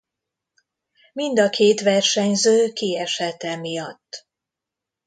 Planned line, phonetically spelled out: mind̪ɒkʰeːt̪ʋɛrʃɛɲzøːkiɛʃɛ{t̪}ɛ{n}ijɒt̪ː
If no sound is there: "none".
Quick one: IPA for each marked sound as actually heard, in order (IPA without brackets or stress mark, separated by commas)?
t̪, m